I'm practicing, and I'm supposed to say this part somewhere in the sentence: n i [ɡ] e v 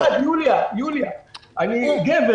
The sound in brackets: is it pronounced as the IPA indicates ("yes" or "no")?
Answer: yes